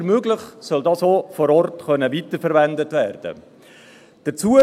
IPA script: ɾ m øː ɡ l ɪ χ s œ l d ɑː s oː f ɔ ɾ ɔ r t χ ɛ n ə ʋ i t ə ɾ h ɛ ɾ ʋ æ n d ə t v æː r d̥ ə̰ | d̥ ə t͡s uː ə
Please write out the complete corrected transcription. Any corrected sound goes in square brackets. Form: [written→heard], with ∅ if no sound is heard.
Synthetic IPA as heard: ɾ m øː ɡ l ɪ χ s œ l d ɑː s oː f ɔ ɾ ɔ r t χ [ɛ→œ] n ə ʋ i t ə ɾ [h→f] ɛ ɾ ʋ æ n d ə t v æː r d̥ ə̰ | d̥ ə t͡s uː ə

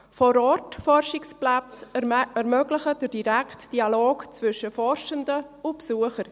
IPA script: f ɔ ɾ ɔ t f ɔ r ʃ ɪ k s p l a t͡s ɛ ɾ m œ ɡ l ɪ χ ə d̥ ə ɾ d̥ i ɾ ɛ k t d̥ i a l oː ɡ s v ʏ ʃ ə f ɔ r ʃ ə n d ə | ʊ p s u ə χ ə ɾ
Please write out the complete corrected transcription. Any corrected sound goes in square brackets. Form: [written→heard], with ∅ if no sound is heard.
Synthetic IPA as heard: f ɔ ɾ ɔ t f ɔ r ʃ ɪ k s p l a t͡s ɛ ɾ m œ ɡ l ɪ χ ə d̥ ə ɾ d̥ i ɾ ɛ k t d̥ i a l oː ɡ [s→t͡s] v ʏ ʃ ə f ɔ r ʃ ə n d ə | ʊ p s u ə χ ə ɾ

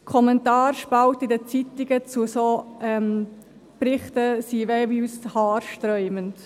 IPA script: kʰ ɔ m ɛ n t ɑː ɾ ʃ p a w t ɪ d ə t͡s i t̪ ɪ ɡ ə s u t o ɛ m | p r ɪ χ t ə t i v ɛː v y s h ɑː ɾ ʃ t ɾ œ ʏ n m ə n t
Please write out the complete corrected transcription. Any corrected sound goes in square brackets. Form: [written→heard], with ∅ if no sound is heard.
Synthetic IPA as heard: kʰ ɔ m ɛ n t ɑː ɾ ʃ p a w t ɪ d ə t͡s i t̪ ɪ ɡ ə [s→t͡s] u [t→s] o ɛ m | p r ɪ χ t ə [t→s] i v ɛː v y s h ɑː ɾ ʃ t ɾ œ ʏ [n→∅] m ə n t

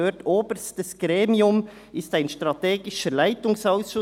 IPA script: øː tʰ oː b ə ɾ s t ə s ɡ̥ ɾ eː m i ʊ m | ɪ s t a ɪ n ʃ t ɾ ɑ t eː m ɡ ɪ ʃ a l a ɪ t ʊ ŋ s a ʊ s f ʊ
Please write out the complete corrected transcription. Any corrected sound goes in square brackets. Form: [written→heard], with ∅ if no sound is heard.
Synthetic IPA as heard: øː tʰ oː b ə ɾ s t ə s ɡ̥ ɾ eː m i ʊ m | ɪ s t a ɪ n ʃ t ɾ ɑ t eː [m→∅] ɡ ɪ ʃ [a→ə] l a ɪ t ʊ ŋ s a ʊ s [f→ʃ] ʊ

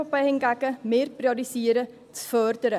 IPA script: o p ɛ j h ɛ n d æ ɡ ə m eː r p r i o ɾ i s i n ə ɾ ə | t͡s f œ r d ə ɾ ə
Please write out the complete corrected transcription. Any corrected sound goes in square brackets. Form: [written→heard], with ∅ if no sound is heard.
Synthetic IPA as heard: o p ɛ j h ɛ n [d→ɡ] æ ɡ ə m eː r p r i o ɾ i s i [n→∅] ə ɾ ə | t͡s f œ r d ə ɾ ə

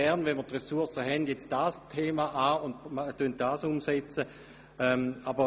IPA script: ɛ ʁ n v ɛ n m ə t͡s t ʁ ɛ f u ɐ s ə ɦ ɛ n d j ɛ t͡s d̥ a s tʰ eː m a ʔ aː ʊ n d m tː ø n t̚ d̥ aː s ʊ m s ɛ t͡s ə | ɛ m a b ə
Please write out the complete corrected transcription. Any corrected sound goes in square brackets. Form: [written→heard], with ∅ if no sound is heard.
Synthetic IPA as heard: ɛ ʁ n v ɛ n m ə [t͡s→∅] t ʁ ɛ [f→s] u ɐ s ə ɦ ɛ n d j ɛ t͡s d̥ a s tʰ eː m a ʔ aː ʊ n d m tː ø n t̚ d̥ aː s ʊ m s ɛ t͡s ə | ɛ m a b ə

